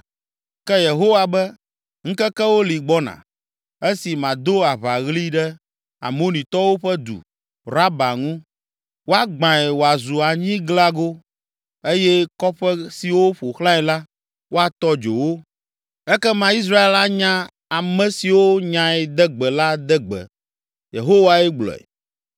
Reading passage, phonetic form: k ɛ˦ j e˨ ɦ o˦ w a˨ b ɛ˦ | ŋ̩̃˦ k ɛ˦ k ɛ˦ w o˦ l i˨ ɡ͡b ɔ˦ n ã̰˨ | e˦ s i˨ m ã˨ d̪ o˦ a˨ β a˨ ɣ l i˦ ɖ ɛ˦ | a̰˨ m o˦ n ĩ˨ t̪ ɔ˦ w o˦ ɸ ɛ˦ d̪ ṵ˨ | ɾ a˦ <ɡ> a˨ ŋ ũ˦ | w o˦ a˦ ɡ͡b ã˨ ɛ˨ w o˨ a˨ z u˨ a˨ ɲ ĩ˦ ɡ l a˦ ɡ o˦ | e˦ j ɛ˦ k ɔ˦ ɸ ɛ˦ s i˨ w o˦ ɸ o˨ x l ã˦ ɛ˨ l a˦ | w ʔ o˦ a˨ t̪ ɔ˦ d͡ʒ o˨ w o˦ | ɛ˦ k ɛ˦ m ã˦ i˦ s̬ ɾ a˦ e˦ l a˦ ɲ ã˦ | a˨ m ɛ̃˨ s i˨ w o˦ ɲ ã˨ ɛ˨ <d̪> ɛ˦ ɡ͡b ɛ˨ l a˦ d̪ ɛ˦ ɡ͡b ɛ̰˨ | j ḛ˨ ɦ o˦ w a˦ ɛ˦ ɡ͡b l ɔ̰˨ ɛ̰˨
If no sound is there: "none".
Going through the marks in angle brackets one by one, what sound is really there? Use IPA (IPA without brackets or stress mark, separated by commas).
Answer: b, d̪